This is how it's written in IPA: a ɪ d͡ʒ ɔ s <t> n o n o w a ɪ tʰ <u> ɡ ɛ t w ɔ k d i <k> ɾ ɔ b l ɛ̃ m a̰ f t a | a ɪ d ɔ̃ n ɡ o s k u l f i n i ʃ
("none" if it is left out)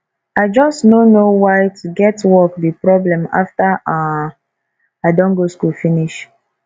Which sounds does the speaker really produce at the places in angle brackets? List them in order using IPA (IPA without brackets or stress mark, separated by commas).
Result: t, u, p